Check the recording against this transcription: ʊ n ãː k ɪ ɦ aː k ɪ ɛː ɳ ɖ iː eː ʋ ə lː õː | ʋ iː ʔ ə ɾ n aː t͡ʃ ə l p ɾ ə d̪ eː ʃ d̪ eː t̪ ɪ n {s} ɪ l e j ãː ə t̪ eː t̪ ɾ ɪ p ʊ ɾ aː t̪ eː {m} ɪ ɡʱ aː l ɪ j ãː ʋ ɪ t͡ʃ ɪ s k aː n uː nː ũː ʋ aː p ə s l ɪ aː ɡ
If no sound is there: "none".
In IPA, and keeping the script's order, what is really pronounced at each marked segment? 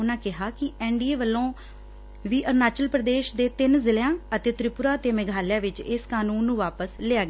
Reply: z, m

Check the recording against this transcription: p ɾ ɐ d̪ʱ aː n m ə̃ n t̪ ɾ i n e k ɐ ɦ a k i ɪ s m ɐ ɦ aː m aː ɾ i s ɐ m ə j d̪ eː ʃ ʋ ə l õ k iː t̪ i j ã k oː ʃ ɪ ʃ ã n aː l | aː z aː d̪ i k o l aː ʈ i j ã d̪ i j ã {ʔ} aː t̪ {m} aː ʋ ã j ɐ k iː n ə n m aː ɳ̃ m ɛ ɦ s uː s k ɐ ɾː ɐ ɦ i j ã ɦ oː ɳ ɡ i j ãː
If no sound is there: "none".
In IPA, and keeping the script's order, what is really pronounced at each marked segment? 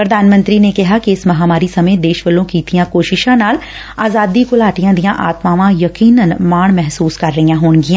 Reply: ʔ, m

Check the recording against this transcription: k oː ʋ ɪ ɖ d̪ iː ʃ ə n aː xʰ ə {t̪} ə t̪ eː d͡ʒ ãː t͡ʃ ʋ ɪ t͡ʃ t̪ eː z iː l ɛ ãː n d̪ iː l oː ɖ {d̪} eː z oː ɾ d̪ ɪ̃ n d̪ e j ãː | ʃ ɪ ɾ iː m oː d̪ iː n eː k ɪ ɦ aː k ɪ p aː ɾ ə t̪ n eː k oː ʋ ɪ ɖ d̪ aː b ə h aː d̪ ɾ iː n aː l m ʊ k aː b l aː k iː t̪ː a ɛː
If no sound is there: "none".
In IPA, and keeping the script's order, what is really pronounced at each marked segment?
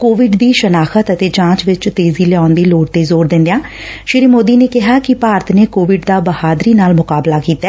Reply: t̪, t̪

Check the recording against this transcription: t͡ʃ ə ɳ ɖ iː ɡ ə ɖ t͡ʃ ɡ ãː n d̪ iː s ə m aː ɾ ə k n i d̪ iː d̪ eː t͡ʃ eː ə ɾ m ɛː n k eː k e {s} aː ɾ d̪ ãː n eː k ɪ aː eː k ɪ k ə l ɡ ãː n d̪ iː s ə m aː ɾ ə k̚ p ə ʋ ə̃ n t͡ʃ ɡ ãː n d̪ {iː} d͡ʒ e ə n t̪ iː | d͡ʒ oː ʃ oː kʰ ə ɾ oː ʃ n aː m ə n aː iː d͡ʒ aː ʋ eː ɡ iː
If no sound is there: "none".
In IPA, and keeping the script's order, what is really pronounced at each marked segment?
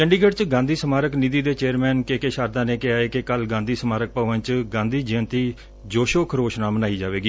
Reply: ʃ, iː

